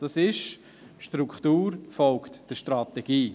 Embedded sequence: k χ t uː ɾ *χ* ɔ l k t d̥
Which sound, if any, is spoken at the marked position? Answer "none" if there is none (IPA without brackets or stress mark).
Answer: f